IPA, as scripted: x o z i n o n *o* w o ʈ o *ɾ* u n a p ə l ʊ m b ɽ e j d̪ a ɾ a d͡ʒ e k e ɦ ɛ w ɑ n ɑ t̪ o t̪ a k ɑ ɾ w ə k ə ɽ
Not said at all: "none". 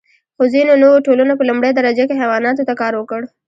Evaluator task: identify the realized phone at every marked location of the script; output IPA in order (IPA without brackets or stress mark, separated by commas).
o, l